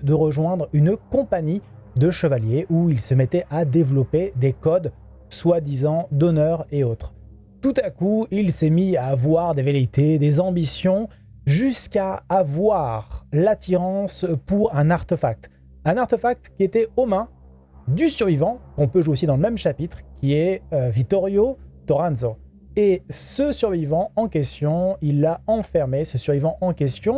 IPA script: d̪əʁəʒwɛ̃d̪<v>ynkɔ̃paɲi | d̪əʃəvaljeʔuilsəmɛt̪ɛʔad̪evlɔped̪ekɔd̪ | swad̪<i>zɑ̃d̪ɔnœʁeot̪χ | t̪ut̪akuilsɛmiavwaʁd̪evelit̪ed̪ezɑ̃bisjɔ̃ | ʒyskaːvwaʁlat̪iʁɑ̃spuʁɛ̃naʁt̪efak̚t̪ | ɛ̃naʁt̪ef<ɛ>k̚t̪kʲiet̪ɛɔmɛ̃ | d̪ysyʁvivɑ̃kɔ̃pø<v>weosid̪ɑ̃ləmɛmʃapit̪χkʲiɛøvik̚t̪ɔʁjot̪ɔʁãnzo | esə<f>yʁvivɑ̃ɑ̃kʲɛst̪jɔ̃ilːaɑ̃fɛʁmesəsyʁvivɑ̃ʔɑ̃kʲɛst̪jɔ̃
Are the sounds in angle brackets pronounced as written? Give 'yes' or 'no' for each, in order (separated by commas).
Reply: no, yes, no, no, no